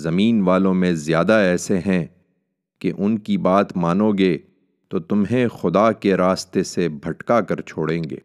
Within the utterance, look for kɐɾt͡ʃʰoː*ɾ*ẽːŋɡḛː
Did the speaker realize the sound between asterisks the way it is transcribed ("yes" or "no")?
no